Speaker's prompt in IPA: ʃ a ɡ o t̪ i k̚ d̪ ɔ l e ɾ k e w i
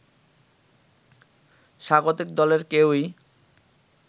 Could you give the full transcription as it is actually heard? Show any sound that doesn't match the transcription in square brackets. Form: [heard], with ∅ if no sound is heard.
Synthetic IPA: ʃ a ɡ o t̪ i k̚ d̪ ɔ l e ɾ k e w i